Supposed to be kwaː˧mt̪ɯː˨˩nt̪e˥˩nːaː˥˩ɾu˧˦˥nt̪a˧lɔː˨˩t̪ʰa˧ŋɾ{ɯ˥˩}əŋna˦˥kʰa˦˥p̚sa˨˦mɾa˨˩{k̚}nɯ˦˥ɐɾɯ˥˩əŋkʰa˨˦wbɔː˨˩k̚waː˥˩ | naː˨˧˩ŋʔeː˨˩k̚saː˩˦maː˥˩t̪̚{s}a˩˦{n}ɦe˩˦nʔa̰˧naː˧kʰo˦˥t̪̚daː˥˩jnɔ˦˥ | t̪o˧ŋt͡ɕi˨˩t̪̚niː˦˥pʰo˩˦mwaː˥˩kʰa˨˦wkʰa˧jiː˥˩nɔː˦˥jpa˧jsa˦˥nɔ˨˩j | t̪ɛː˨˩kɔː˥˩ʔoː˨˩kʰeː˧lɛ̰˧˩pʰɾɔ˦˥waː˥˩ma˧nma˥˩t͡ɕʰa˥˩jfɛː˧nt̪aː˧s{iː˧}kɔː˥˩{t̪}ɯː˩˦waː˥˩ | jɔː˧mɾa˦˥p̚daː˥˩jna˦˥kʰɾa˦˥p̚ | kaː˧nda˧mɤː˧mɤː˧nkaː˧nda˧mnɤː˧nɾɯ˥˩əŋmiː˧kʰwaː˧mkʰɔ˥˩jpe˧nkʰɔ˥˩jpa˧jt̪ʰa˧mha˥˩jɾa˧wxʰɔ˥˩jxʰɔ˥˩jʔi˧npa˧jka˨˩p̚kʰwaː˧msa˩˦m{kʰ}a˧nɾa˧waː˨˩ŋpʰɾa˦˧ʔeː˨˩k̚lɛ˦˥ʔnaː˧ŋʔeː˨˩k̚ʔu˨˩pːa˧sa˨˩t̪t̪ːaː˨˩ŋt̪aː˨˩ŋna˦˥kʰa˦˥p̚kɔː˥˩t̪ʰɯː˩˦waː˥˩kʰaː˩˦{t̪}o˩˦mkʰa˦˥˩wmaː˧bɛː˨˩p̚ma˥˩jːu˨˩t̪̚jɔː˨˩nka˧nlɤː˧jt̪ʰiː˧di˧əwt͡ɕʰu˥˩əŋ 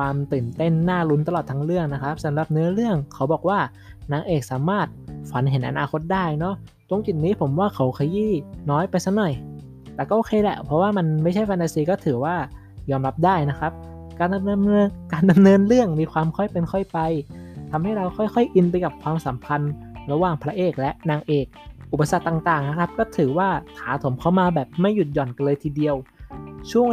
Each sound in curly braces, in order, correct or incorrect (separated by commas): correct, incorrect, incorrect, correct, correct, incorrect, incorrect, incorrect